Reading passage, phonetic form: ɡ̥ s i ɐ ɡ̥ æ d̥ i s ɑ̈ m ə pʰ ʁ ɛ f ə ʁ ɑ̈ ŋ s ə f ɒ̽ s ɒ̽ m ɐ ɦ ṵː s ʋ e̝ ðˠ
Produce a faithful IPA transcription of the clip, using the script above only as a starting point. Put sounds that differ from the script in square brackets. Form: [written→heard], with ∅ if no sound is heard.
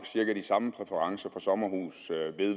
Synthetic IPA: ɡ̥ s i ɐ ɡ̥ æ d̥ i s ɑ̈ m ə pʰ ʁ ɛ f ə ʁ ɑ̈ ŋ s [ə→ɐ] f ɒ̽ s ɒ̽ m ɐ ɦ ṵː s ʋ e̝ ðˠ